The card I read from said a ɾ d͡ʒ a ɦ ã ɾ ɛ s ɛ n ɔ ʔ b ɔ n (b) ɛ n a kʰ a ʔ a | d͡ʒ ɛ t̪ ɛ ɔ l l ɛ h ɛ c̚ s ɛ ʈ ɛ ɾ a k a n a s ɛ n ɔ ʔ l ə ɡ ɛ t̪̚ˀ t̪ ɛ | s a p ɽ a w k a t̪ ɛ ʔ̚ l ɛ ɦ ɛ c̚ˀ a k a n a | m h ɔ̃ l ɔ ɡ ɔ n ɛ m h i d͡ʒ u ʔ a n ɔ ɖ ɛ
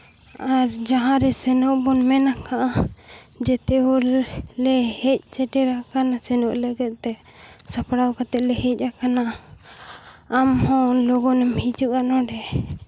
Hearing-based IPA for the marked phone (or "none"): m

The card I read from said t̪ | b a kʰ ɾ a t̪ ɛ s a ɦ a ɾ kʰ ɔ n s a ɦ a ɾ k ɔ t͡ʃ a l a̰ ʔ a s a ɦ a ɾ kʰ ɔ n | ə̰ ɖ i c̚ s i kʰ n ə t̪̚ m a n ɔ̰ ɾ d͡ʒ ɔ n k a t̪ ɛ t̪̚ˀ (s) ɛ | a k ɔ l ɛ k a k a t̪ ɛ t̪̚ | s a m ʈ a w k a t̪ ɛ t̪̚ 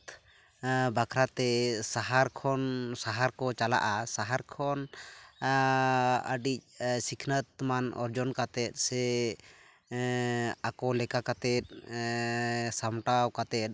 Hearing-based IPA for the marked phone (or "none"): s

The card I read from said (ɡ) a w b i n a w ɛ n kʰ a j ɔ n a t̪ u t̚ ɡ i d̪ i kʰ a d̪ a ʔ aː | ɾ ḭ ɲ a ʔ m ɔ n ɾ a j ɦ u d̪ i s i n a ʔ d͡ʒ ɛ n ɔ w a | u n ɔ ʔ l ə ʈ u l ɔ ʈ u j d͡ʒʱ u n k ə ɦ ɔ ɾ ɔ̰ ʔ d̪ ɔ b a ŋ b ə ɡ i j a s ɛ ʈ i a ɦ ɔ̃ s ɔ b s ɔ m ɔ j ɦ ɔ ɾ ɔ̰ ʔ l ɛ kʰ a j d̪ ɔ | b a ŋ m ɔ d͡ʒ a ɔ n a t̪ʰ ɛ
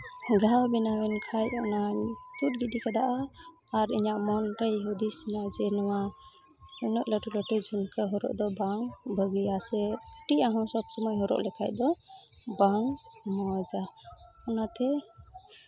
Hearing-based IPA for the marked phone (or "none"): ɡ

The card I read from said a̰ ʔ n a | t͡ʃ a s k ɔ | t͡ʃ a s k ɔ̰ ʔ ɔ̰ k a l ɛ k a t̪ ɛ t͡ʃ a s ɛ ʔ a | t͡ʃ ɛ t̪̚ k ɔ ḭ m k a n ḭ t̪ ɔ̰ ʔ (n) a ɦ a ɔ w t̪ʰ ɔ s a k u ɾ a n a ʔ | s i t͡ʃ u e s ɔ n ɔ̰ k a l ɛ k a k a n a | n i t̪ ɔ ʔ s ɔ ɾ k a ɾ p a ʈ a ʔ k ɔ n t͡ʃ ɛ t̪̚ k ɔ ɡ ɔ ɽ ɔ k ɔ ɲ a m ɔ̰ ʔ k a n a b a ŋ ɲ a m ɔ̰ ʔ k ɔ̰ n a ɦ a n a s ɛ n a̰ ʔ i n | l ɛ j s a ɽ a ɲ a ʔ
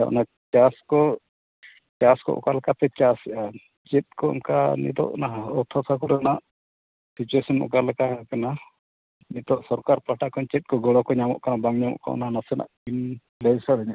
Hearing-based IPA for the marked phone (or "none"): n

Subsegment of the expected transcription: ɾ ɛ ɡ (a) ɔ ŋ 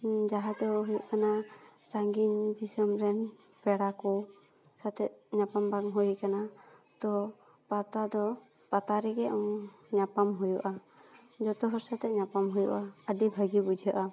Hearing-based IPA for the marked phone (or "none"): ɛ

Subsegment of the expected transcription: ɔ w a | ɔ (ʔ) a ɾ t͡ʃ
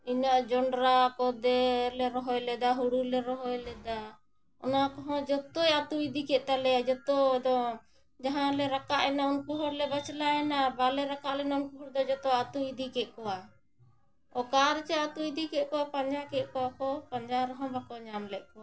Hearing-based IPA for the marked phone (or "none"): k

